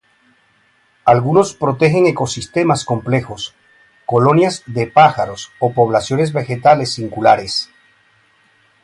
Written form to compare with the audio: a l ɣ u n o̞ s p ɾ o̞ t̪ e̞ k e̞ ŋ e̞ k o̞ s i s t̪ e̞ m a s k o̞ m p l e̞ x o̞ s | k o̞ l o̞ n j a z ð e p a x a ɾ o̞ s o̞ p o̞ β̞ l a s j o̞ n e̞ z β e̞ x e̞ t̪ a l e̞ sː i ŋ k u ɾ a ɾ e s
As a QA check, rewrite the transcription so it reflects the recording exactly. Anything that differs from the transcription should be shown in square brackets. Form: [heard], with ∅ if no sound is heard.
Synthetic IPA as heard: a l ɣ u n o̞ s p ɾ o̞ t̪ e̞ [x] e̞ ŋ e̞ k o̞ s i s t̪ e̞ m a s k o̞ m p l e̞ x o̞ s | k o̞ l o̞ n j a z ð e p a x a ɾ o̞ s o̞ p o̞ β̞ l a s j o̞ n e̞ z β e̞ x e̞ t̪ a l e̞ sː i ŋ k u [l] a ɾ e s